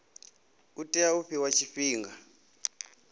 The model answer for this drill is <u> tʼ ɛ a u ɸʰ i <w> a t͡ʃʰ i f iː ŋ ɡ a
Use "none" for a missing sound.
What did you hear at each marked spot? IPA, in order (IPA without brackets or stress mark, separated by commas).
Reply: u, w